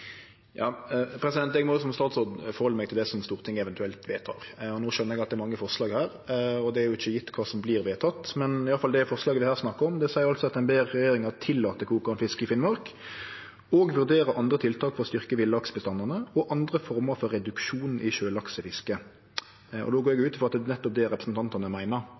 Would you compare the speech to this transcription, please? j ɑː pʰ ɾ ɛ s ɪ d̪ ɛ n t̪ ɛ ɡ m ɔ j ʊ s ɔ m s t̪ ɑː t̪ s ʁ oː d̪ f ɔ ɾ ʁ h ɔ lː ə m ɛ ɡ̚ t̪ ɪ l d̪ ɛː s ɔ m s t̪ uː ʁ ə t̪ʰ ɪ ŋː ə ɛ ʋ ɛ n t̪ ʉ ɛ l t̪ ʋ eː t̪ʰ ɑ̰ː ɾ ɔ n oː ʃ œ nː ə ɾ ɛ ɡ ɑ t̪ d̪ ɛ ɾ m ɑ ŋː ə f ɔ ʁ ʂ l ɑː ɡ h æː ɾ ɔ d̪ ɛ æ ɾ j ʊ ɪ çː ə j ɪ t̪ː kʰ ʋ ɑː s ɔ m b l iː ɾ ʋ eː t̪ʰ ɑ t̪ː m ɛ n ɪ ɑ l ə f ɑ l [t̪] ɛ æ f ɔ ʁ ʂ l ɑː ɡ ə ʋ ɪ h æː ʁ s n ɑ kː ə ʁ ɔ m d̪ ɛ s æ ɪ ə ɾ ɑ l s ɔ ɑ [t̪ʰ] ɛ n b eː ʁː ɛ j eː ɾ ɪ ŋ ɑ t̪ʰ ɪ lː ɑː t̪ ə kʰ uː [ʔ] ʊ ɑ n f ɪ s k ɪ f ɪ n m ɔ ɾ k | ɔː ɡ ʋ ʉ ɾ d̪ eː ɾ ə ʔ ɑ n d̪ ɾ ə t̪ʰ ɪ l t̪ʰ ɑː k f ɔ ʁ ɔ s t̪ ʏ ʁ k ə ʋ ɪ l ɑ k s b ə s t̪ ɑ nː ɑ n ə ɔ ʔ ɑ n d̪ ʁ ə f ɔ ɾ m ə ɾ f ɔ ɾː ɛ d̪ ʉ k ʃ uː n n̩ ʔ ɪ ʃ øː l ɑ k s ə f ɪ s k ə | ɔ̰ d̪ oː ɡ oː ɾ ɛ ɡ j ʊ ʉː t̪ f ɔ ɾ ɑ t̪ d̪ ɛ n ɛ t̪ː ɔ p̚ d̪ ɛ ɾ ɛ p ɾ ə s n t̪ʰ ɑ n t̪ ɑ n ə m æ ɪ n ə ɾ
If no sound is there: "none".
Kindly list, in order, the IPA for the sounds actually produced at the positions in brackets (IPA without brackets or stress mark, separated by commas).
d̪, t̪, k